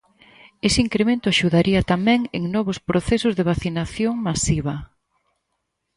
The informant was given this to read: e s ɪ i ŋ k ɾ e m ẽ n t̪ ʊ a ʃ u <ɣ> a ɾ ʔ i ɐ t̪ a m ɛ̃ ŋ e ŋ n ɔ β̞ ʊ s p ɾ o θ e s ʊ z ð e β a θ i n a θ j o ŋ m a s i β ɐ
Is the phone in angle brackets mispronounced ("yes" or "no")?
yes